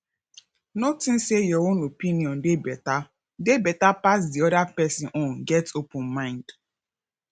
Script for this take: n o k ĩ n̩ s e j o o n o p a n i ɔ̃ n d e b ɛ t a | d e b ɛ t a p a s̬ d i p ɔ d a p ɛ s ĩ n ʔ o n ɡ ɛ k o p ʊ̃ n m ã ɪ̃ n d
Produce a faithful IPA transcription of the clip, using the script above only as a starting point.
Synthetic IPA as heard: n o t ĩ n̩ s e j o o n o p i n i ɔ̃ n d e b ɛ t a | d e b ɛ t a p a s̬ d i ɔ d a p ɛ s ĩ n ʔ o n ɡ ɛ t o p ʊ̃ n m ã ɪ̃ n d